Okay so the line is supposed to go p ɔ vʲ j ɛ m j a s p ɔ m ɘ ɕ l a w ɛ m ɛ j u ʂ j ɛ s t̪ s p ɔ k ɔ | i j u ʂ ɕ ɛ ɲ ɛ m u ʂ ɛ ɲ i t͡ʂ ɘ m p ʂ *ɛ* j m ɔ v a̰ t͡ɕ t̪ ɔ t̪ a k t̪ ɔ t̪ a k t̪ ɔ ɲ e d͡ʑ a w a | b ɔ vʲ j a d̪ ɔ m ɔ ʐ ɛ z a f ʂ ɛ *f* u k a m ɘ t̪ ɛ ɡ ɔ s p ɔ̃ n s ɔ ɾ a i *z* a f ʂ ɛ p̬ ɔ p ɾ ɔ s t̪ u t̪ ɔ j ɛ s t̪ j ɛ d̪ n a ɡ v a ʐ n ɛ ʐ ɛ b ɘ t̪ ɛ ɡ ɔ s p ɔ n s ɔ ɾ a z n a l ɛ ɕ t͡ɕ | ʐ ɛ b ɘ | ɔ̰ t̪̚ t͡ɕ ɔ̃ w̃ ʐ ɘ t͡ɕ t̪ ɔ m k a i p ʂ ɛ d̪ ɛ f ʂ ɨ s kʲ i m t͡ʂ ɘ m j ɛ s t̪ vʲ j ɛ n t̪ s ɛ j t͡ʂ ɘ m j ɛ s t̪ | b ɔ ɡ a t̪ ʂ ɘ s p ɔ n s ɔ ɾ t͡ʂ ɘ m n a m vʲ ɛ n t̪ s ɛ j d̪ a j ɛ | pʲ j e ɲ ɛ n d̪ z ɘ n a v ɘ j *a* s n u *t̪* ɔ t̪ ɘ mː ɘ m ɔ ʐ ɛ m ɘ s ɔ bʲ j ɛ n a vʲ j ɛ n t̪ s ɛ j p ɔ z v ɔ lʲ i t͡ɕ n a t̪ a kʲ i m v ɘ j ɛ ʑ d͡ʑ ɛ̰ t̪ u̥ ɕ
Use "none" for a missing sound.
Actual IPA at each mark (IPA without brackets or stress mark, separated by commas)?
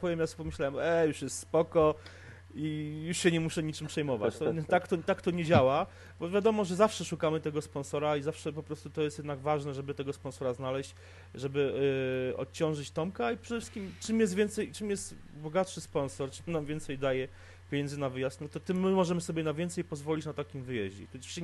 ɛ, ʂ, z, a, t̪